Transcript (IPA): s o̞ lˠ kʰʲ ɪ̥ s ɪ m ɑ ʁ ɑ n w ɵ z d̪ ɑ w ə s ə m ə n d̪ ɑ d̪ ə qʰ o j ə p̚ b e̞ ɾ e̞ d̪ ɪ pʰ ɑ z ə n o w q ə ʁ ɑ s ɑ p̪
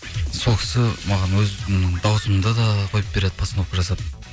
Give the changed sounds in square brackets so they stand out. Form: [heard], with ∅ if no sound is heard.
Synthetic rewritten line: s o̞ lˠ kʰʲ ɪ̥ s ɪ m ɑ ʁ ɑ n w ɵ z d̪ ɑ w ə s ə m ə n d̪ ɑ d̪ [ɑ] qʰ o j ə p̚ b e̞ ɾ e̞ d̪ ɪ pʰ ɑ [s] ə n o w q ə [ʒ] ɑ s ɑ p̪